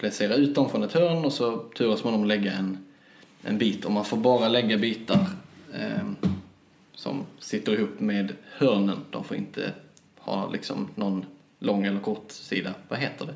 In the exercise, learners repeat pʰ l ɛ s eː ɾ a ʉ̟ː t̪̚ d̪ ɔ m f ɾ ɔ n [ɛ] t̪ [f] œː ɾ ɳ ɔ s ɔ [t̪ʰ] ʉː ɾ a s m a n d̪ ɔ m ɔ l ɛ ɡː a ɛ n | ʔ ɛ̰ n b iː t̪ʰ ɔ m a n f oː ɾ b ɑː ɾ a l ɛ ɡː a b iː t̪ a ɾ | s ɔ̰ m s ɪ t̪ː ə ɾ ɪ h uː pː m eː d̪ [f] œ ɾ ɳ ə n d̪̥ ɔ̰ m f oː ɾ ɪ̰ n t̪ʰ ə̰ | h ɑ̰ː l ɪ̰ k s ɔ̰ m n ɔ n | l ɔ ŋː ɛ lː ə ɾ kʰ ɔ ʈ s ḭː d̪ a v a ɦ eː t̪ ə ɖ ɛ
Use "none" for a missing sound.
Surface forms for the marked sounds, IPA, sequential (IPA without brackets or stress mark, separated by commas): ɛ, h, t̪ʰ, h